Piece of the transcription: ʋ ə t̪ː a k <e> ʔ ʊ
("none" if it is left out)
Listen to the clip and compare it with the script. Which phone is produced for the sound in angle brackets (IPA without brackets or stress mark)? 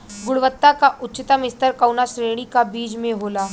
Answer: a